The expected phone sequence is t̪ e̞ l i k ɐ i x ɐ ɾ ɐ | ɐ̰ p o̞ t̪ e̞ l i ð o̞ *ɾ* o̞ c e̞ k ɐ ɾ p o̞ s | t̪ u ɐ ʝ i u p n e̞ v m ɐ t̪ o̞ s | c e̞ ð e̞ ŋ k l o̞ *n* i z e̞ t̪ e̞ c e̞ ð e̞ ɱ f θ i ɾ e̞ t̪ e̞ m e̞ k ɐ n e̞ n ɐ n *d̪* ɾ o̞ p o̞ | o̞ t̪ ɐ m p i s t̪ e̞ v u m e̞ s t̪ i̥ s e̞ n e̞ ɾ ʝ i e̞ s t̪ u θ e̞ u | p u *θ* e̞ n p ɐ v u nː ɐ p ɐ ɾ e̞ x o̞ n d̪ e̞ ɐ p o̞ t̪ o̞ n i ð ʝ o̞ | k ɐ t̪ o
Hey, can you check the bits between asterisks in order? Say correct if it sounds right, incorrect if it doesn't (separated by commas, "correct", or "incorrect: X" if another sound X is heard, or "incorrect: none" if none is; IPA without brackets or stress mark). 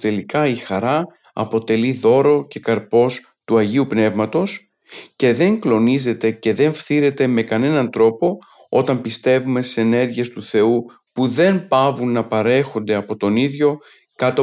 correct, correct, incorrect: t̪, incorrect: ð